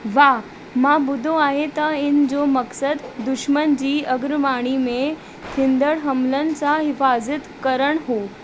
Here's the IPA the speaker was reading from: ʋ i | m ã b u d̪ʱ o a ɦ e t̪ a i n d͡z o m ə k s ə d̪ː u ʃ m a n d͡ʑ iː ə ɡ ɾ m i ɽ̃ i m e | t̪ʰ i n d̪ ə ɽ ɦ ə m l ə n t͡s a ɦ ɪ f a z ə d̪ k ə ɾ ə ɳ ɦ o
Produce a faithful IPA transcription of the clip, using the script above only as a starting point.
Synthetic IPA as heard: ʋ a | m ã b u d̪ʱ o a ɦ e t̪ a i n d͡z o m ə k s ə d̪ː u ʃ m ə n d͡ʑ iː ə ɡ ɾ m a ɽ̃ i m e | t̪ʰ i n d̪ ə ɽ ɦ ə m l ə n t͡s a ɦ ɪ f a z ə t̪ k ə ɾ ə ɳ ɦ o